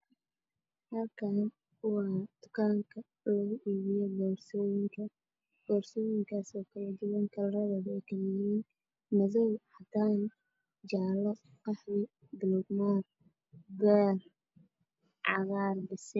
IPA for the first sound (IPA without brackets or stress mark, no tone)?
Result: h